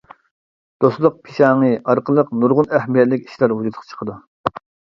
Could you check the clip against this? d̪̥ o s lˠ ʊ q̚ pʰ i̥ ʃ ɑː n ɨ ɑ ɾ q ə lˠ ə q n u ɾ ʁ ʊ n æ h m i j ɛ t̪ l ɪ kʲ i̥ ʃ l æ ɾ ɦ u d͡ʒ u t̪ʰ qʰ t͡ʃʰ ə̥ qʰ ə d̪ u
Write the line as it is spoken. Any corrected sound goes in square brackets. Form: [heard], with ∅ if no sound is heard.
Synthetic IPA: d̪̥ o s lˠ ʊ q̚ pʰ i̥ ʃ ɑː [ŋ] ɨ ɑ ɾ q ə lˠ ə q n u ɾ ʁ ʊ n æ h m i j ɛ t̪ l ɪ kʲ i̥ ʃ l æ ɾ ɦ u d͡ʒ u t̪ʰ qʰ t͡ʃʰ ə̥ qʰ ə d̪ u